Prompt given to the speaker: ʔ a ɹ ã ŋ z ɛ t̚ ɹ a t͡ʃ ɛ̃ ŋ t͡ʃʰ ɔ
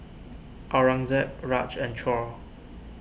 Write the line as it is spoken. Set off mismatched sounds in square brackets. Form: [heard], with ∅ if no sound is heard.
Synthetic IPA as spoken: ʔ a ɹ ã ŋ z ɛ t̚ ɹ a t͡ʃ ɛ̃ [n] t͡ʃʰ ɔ